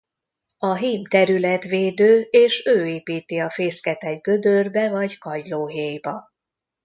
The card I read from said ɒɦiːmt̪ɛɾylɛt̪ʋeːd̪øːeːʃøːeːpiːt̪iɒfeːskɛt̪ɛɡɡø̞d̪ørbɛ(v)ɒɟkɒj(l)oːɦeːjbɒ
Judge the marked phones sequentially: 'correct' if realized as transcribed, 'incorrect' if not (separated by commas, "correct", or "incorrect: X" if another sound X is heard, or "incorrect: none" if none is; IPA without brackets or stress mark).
correct, correct